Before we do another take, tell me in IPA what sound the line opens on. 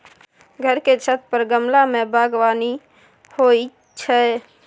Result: ɡʱ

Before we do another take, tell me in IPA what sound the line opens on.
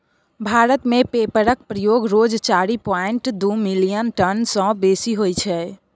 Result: bʱ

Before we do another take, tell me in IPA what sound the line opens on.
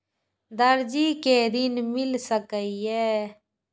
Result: d̪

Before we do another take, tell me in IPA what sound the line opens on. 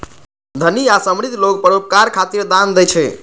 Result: d̪ʱ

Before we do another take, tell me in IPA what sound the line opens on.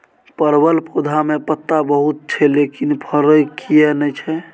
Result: p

